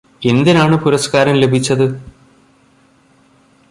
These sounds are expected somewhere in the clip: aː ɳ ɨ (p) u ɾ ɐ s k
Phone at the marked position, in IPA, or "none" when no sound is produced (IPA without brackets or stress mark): p